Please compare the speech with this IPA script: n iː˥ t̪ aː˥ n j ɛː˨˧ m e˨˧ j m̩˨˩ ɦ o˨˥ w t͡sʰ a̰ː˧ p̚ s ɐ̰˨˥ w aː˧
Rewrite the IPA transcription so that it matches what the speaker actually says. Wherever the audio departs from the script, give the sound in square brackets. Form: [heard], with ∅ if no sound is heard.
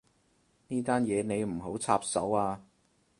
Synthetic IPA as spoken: n iː˥ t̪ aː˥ n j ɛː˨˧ [n] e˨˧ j m̩˨˩ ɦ o˨˥ w t͡sʰ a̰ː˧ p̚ s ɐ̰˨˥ w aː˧